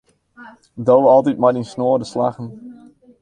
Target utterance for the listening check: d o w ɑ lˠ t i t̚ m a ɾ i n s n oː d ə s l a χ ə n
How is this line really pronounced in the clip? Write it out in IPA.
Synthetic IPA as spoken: d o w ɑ lˠ t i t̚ m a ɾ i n s n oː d ə s l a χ ə n